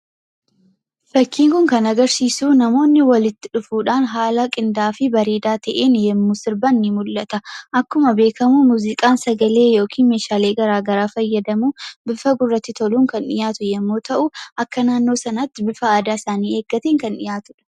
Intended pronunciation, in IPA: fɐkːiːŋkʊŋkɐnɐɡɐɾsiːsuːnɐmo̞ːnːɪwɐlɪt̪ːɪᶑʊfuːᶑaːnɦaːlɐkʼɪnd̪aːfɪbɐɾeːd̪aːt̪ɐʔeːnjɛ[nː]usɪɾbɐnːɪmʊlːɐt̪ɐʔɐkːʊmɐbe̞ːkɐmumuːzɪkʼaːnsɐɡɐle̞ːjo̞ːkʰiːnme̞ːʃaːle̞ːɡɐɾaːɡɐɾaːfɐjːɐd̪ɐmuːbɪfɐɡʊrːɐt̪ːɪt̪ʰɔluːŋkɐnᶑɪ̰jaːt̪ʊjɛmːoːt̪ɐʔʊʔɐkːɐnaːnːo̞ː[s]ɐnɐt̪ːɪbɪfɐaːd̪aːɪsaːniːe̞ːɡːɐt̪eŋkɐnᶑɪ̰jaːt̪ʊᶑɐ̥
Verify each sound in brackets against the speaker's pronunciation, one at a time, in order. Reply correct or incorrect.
incorrect, correct

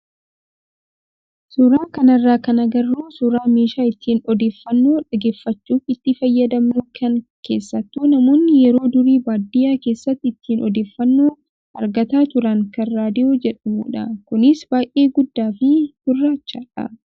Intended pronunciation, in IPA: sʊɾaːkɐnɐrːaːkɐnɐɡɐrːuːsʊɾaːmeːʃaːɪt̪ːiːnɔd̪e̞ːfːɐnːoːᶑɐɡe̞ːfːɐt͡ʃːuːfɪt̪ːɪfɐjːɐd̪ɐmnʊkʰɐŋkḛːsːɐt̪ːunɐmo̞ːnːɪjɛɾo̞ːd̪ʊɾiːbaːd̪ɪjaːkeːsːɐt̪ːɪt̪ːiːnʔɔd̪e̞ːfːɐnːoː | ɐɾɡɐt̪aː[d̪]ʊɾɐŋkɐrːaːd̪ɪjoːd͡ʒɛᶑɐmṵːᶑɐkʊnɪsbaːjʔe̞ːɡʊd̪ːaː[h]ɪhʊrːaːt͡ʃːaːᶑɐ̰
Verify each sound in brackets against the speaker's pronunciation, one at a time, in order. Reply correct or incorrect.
incorrect, incorrect

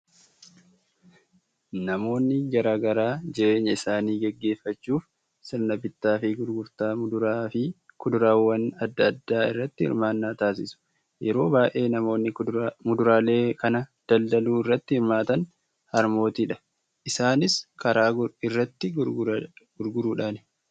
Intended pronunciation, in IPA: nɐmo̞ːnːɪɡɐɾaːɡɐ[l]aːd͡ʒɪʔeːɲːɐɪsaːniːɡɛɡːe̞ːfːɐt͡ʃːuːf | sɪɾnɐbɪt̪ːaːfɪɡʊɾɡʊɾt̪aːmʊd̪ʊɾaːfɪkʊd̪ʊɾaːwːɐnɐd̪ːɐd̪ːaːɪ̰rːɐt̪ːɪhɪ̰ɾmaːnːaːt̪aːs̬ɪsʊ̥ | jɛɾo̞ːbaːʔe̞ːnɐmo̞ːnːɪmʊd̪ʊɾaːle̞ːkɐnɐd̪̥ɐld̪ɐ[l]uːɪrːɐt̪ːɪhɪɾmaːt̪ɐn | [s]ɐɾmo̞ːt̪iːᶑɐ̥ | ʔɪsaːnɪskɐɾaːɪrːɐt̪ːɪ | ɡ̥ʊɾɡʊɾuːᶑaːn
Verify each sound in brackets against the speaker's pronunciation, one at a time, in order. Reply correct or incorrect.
incorrect, correct, incorrect

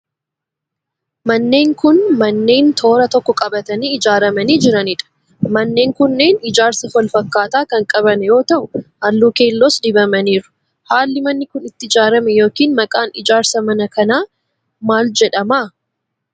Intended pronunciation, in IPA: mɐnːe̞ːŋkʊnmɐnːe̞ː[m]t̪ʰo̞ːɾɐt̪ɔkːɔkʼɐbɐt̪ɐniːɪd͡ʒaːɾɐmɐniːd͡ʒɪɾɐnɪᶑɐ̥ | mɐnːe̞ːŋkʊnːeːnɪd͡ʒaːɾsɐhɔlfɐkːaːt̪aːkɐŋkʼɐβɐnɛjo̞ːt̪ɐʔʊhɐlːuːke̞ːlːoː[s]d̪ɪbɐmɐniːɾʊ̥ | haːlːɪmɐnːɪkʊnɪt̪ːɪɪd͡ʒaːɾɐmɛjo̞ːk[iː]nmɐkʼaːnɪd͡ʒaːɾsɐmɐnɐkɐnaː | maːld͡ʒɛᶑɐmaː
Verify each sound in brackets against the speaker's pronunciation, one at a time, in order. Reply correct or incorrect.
incorrect, correct, correct

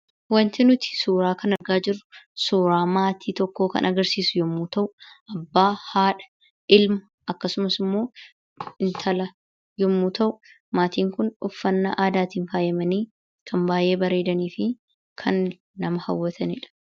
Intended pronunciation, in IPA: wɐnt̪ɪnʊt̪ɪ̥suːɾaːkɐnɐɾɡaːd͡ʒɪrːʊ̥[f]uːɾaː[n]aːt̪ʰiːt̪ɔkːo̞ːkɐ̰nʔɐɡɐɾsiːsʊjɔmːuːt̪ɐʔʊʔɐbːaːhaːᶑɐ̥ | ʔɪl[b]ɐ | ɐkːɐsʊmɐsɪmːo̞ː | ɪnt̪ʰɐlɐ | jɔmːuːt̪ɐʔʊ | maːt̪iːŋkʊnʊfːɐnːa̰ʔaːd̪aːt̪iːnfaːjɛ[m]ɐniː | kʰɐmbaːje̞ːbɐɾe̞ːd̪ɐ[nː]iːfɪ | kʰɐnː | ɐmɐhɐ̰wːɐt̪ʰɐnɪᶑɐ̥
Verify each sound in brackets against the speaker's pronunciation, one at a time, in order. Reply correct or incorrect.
incorrect, incorrect, incorrect, correct, incorrect

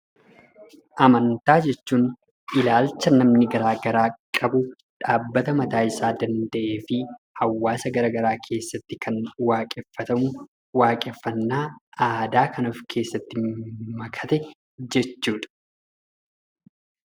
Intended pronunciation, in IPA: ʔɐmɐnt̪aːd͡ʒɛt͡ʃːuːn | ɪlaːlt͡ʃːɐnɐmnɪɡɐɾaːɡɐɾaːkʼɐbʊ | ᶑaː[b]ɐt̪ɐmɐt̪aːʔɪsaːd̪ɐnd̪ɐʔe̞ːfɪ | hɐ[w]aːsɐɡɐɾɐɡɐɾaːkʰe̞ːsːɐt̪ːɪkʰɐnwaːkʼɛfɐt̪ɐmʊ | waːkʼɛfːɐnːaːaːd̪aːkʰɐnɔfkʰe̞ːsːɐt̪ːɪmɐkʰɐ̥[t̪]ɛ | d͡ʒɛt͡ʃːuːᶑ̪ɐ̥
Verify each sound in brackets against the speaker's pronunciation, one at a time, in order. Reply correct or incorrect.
incorrect, incorrect, correct

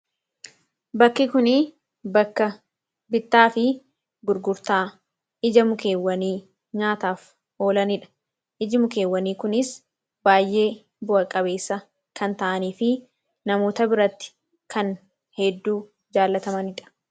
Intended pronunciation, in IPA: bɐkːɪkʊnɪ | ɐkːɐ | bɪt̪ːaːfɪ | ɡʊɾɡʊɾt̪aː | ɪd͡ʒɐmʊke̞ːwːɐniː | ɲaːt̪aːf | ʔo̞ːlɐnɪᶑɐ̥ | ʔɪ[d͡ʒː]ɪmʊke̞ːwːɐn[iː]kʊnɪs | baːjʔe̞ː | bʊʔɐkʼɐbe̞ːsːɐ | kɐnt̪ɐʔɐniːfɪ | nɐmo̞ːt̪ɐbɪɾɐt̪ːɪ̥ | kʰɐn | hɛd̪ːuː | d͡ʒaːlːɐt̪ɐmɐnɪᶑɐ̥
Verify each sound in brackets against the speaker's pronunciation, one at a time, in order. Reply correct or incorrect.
incorrect, correct

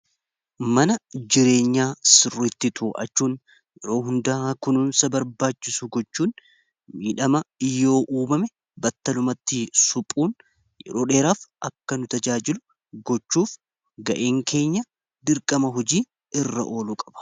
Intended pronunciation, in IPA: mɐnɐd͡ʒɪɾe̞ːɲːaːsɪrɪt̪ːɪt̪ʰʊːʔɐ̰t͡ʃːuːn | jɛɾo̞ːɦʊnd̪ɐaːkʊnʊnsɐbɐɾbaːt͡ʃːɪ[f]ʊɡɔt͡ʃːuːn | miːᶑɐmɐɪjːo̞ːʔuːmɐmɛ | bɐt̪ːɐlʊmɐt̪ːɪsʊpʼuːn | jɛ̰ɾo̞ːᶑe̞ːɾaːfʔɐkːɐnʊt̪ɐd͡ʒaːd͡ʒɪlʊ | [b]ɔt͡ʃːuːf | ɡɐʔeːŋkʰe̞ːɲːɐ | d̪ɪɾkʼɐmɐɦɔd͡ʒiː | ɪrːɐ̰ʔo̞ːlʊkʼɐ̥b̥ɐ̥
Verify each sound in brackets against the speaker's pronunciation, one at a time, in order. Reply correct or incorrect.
incorrect, incorrect

